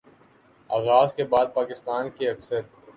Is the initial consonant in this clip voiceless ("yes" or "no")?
no